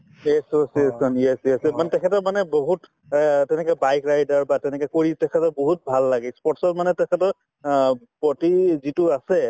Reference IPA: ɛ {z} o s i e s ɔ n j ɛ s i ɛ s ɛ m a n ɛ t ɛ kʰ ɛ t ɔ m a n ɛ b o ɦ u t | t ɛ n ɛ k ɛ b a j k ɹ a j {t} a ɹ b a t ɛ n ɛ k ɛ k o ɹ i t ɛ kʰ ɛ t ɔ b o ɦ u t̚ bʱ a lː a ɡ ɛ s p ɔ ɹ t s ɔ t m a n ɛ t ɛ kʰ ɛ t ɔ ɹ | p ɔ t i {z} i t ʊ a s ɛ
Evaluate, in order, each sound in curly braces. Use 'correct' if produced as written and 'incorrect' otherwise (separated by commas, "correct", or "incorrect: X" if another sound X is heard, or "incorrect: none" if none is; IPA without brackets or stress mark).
incorrect: s, incorrect: d, correct